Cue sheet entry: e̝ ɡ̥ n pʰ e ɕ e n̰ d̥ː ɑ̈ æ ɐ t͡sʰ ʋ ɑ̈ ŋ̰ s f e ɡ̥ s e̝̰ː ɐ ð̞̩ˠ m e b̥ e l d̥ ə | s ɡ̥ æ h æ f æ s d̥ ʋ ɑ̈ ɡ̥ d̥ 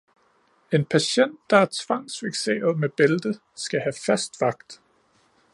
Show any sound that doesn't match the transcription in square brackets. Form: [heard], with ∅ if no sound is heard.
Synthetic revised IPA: e̝ [∅] n pʰ [æ] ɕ e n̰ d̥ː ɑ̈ æ ɐ t͡sʰ ʋ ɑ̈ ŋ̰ s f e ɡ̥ s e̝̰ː ɐ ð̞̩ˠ m e b̥ e l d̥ ə | s ɡ̥ æ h æ f æ s d̥ ʋ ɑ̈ ɡ̥ d̥